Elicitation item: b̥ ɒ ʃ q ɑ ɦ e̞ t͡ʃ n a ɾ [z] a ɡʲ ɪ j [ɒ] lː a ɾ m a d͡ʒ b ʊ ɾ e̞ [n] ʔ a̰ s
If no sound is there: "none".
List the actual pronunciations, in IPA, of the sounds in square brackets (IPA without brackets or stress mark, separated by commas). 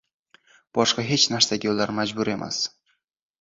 s, o, m